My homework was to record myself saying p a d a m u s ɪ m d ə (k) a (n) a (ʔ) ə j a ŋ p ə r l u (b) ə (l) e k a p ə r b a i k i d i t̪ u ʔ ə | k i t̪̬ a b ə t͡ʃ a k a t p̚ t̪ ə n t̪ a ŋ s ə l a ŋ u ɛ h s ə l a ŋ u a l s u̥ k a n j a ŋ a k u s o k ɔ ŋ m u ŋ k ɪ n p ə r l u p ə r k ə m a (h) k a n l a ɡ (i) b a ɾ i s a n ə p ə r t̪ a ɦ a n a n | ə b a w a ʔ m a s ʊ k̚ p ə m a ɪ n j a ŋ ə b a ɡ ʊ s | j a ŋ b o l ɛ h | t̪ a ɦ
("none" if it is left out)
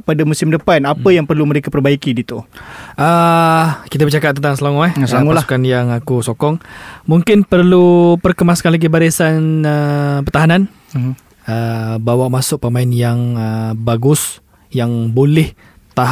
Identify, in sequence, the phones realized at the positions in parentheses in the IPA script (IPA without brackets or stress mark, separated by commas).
p, n, p, m, ɾ, s, i